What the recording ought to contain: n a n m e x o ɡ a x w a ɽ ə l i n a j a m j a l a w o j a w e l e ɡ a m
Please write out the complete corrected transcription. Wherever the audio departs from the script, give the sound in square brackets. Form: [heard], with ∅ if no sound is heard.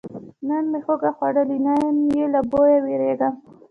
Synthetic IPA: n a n m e x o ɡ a x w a ɽ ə l i n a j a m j [e] l a [b] o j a w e [ɾ] e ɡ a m